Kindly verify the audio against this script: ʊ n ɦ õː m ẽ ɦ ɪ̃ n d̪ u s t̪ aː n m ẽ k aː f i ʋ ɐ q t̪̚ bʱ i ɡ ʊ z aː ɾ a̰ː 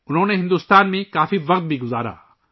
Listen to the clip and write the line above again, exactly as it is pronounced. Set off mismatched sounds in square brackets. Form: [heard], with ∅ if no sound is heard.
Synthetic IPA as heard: ʊ n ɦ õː [n] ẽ ɦ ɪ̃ n d̪ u s t̪ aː n m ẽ k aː f i ʋ ɐ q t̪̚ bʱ i ɡ ʊ z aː ɾ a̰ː